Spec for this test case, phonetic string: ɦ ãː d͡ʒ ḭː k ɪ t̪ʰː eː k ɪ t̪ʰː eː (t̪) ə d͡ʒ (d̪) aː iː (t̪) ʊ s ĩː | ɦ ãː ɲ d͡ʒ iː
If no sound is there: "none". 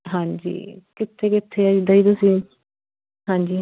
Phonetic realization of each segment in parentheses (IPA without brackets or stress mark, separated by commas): none, d̪, t̪